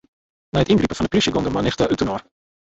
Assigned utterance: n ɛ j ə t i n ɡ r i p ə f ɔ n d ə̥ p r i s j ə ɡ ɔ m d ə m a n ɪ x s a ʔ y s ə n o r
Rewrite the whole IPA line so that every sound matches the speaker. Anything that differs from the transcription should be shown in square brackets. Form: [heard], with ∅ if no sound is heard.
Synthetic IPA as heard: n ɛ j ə t i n ɡ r i p ə f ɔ n d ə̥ p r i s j ə ɡ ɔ [n] d ə m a n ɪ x [t] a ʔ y [t] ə n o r